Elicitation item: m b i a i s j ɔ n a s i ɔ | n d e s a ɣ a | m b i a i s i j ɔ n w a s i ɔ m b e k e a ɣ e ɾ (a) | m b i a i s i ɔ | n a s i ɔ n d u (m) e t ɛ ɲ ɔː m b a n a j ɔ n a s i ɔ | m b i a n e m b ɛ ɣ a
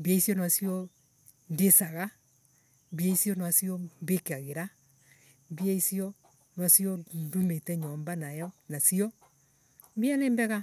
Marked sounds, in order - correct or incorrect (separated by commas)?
correct, correct